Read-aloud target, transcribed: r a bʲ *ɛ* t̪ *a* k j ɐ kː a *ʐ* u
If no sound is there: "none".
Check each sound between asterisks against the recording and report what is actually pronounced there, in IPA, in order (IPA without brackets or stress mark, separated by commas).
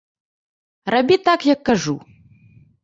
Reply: i, a, ʐ